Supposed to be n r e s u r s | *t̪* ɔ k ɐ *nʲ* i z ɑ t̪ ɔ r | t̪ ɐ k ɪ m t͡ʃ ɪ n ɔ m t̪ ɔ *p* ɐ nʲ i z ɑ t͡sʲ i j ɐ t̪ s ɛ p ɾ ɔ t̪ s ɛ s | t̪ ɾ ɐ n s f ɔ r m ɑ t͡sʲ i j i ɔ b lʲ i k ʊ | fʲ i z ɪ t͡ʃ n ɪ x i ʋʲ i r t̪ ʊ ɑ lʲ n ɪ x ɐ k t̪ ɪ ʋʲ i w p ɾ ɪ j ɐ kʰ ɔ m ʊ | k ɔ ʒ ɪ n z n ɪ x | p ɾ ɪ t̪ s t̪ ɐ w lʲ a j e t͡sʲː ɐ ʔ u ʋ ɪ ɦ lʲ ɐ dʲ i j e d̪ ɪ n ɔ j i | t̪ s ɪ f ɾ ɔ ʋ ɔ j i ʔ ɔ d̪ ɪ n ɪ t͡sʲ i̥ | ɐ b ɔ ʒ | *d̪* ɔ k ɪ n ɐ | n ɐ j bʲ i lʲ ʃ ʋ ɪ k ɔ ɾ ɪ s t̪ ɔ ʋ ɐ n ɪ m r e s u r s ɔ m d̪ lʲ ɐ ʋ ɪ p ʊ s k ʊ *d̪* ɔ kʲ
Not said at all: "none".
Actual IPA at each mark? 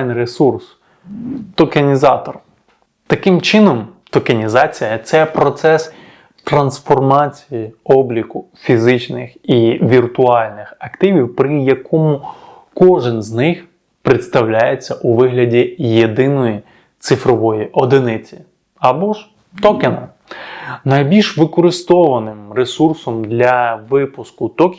t̪, nʲ, k, t̪, t̪

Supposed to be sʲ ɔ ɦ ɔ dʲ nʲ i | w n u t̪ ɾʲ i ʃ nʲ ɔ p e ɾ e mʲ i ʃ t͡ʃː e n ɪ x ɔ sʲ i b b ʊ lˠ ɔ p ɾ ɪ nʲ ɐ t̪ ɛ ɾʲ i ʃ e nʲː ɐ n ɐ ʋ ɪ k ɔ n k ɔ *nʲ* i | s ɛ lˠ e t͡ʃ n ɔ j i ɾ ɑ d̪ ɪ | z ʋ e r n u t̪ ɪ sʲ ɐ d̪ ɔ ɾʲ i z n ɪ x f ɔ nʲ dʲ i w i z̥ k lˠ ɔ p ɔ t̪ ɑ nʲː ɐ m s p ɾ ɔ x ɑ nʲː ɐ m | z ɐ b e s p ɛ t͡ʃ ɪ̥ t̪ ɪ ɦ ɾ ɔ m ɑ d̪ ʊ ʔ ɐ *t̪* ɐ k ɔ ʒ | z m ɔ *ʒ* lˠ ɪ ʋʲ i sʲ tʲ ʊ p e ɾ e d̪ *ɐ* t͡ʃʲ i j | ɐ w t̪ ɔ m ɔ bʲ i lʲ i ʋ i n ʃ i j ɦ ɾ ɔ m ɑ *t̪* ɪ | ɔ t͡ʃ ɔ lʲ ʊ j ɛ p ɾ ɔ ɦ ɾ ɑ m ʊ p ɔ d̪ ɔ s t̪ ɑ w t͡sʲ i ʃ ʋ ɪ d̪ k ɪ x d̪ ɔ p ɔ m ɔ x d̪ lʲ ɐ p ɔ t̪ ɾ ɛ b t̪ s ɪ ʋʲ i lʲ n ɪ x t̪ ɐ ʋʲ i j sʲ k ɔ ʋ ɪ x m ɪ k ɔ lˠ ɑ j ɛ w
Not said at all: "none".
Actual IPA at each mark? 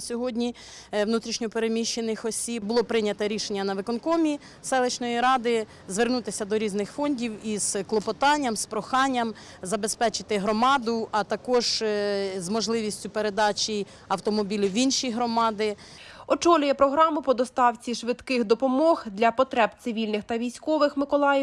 mʲ, t̪, ʒ, ɑ, d̪

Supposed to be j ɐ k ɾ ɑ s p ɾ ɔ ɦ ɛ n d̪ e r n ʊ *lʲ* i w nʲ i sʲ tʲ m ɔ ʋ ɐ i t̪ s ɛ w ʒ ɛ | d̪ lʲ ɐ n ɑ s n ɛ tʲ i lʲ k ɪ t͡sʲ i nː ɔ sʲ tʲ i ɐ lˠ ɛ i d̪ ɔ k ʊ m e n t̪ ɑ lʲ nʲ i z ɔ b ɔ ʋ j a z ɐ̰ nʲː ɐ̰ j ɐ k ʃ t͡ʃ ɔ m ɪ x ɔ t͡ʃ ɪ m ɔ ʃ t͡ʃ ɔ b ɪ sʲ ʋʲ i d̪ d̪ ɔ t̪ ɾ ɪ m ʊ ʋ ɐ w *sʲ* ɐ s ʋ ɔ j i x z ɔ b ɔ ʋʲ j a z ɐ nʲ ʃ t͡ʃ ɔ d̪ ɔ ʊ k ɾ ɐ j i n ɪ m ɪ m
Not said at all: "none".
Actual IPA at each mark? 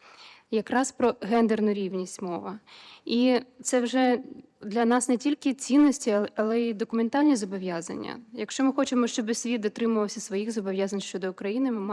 ɾʲ, sʲ

